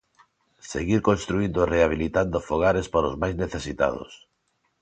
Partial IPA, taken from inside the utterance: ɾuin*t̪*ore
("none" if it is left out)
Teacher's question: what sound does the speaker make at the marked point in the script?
d̪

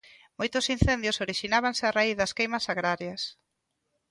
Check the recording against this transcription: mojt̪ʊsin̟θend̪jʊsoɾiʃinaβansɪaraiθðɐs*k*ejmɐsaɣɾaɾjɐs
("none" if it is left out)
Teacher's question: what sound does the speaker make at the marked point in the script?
k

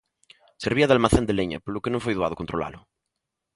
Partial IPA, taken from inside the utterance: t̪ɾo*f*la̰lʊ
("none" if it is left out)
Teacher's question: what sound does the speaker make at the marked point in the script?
none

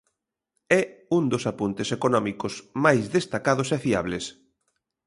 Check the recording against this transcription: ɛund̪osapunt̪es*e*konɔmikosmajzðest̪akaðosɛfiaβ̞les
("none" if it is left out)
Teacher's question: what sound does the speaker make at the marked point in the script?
e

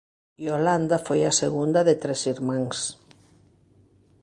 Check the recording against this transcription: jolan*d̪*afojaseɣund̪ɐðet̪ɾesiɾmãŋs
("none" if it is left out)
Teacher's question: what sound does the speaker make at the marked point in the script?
d̪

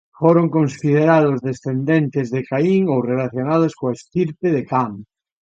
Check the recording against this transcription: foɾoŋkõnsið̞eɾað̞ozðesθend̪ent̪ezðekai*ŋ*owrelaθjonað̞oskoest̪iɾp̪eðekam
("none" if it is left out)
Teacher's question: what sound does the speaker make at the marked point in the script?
ŋ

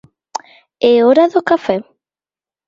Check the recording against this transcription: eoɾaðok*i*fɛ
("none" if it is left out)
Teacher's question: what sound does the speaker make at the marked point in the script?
a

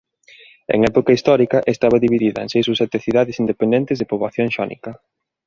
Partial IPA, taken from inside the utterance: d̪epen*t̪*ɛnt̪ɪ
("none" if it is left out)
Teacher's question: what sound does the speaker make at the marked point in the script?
d̪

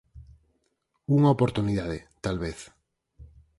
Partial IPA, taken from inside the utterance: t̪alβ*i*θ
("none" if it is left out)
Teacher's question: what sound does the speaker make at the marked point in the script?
e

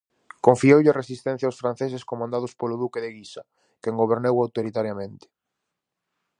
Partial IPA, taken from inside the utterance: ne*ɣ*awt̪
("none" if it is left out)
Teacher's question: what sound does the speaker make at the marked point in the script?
w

